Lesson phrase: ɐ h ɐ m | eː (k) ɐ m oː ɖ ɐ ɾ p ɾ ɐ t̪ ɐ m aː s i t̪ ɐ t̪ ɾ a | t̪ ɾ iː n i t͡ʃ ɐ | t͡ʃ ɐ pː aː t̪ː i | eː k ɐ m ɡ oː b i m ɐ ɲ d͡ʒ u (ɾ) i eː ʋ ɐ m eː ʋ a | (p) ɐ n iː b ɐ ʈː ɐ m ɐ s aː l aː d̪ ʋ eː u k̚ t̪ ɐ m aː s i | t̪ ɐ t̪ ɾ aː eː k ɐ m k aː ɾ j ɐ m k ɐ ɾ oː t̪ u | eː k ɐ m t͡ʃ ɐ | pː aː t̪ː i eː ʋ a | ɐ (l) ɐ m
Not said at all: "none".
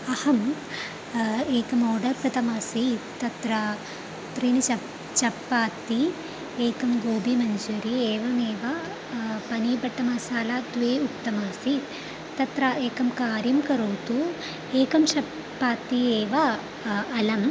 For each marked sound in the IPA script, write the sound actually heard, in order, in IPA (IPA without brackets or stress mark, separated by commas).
k, ɾ, p, l